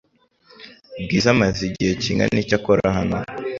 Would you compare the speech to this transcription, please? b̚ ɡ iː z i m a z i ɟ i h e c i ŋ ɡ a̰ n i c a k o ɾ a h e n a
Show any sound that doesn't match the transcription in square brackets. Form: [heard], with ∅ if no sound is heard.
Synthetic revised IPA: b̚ ɡ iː z [a] m a z i ɟ i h e c i ŋ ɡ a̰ n i c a k o ɾ a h [a] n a